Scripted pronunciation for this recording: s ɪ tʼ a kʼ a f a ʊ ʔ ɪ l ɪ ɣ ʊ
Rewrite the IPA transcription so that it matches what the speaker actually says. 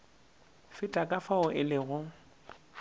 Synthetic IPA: f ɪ tʼ a kʼ a f a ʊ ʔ ɪ l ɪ ɣ ʊ